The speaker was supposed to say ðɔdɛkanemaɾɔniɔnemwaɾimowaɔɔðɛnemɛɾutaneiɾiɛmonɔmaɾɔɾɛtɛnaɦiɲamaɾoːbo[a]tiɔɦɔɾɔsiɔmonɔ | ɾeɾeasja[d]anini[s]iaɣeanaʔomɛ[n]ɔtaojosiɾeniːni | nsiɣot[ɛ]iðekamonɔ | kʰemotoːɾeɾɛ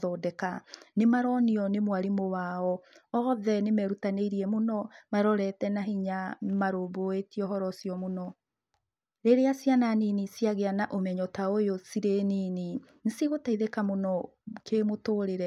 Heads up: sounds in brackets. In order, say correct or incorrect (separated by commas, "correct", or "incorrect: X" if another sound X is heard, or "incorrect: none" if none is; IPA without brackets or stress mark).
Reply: incorrect: e, incorrect: n, correct, incorrect: ɲ, incorrect: a